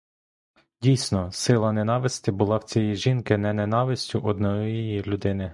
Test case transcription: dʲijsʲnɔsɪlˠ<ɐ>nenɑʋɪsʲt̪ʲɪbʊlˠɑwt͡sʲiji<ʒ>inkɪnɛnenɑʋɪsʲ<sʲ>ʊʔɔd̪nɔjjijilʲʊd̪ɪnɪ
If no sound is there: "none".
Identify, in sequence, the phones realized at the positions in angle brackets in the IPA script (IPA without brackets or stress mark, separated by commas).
ɐ, ʒ, tʲ